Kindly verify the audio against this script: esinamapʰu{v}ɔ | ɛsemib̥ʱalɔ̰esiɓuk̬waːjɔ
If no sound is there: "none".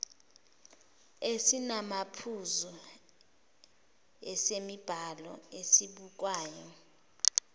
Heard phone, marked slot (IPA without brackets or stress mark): z